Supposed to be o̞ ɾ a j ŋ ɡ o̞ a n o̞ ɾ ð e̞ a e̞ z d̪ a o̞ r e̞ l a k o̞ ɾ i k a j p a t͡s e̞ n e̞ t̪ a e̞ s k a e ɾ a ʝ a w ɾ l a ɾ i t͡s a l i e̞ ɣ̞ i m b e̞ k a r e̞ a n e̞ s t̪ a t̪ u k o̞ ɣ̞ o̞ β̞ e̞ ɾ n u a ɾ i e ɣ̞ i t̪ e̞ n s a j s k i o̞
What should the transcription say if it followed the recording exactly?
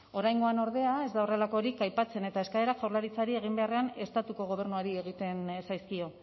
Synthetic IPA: o̞ ɾ a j ŋ ɡ o̞ a n o̞ ɾ ð e̞ a e̞ z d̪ a o̞ r e̞ l a k o̞ ɾ i k a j p a t͡s e̞ n e̞ t̪ a e̞ s k a e ɾ a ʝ a w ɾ l a ɾ i t͡s a ɾ i e̞ ɣ̞ i m b e̞ a r e̞ a n e̞ s t̪ a t̪ u k o̞ ɣ̞ o̞ β̞ e̞ ɾ n u a ɾ i e ɣ̞ i t̪ e̞ n s a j s k i o̞